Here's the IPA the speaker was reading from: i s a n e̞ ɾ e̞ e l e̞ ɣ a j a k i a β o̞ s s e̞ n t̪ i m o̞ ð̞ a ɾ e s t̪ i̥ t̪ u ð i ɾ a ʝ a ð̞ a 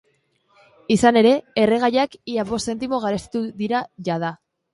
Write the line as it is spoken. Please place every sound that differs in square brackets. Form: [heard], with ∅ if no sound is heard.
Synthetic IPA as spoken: i s a n e̞ ɾ e̞ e [r] e̞ ɣ a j a k i a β o̞ s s e̞ n t̪ i m o̞ [ɣ̞] a ɾ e s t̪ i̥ t̪ u ð i ɾ a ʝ a ð̞ a